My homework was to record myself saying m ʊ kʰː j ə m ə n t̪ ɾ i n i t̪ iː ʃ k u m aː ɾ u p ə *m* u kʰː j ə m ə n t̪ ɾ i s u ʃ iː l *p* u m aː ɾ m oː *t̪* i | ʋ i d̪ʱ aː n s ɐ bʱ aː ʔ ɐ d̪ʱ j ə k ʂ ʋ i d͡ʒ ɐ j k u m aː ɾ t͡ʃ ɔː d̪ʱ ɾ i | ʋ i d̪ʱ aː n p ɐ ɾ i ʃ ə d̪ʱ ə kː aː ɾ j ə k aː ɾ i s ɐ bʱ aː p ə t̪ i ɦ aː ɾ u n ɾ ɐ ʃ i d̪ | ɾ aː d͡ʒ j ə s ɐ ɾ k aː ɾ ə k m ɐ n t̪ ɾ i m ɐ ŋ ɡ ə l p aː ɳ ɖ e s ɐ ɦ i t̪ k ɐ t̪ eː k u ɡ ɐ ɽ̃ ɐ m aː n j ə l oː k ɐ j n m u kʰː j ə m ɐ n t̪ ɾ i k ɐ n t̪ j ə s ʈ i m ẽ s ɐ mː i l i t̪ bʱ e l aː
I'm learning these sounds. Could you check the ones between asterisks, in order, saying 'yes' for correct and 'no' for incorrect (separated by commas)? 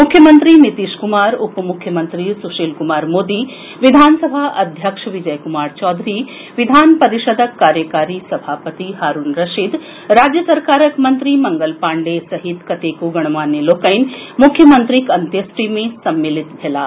yes, no, no